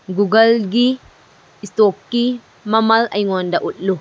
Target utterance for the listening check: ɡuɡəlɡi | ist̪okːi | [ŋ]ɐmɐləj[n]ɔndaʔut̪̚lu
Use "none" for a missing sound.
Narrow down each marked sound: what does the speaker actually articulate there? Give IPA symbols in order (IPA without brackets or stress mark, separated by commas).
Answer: m, ŋ